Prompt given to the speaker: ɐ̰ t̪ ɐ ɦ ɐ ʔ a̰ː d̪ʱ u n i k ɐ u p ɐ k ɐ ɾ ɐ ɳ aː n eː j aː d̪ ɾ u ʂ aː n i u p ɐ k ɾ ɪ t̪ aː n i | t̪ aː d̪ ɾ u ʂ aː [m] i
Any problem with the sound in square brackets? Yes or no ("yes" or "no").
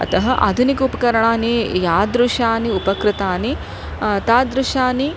yes